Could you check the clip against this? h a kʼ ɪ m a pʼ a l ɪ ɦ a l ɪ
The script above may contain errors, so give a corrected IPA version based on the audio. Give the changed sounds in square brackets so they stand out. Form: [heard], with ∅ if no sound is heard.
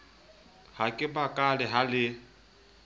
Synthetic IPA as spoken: h a kʼ ɪ [b] a [kʼ] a l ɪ ɦ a l ɪ